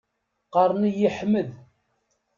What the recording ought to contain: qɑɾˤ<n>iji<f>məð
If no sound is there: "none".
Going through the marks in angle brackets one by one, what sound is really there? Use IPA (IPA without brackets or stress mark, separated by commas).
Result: n, ħ